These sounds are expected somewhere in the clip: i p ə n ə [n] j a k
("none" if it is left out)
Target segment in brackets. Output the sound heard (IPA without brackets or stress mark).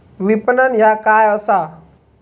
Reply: n